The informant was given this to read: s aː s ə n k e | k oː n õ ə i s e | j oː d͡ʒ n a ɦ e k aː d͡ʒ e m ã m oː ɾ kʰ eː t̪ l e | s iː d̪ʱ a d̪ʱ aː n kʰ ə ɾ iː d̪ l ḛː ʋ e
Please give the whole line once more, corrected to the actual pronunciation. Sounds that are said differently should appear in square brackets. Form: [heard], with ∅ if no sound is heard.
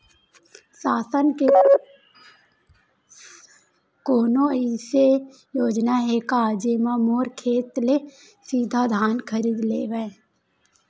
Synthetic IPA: s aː s ə n k e | k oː n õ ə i s e | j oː d͡ʒ n a ɦ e k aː d͡ʒ e m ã m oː ɾ kʰ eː t̪ l e | s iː d̪ʱ a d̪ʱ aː n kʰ ə ɾ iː d̪ l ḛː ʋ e